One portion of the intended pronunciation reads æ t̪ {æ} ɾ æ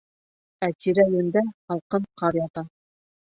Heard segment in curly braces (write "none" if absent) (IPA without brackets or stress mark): i